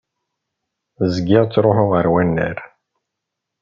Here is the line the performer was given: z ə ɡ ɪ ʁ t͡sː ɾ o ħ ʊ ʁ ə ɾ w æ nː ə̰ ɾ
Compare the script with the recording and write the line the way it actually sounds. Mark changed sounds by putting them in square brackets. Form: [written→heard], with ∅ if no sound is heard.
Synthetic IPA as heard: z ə ɡ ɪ ʁ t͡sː ɾ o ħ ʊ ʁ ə ɾ w æ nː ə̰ ɾ